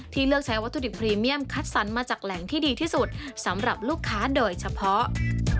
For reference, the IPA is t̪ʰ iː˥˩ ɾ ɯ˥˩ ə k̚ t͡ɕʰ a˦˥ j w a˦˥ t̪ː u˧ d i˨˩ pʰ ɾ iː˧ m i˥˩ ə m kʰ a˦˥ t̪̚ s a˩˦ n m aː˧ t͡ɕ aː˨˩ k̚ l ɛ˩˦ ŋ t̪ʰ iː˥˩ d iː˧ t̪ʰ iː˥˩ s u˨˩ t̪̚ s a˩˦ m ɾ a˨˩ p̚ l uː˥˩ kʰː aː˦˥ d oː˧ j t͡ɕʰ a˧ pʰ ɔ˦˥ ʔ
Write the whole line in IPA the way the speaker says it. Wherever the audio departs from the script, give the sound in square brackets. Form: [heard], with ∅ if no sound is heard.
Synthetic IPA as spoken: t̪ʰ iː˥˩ [l] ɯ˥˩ ə k̚ t͡ɕʰ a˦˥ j w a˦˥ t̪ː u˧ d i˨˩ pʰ ɾ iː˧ m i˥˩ ə m kʰ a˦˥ t̪̚ s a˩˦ n m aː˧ t͡ɕ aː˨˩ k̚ l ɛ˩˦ ŋ t̪ʰ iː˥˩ d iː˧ t̪ʰ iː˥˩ s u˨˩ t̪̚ s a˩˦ m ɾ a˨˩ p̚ l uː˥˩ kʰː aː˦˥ d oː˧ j t͡ɕʰ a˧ pʰ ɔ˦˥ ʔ